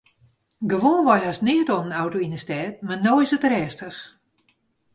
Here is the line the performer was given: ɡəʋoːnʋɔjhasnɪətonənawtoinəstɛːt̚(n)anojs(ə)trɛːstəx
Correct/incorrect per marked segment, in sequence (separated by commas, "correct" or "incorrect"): incorrect, correct